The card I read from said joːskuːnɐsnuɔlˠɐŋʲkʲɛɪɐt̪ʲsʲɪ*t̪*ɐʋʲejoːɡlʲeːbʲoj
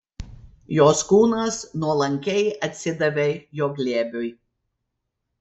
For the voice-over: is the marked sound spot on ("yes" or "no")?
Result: no